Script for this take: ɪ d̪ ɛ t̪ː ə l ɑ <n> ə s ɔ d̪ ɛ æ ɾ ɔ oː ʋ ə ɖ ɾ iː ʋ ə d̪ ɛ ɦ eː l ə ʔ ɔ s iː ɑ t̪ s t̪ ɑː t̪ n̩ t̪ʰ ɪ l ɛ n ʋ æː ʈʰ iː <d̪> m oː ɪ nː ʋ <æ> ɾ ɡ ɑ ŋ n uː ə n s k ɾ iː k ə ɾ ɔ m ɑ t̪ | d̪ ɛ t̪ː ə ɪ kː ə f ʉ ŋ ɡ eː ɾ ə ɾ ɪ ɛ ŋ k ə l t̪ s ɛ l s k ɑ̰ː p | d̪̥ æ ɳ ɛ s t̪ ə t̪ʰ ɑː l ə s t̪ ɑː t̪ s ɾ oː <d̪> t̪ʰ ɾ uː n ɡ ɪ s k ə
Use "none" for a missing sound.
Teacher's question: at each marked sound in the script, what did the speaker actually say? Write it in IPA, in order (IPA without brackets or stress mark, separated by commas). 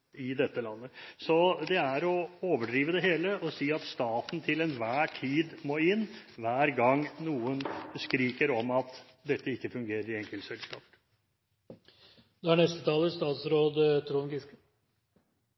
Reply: nː, d̪, æː, d̪